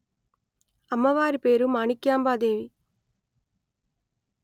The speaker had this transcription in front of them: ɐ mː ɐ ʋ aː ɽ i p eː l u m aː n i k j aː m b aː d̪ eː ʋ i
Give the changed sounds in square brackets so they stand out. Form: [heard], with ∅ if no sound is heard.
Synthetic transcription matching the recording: ɐ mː ɐ ʋ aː [ɾ] i p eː [ɾ] u m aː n i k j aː m b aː d̪ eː ʋ i